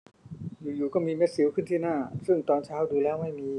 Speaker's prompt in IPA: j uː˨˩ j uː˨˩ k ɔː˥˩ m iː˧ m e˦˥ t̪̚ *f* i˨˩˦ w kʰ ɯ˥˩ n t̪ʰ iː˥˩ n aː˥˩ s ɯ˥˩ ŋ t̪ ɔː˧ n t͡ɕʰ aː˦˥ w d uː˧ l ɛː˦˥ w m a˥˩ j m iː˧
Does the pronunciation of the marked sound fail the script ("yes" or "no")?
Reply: yes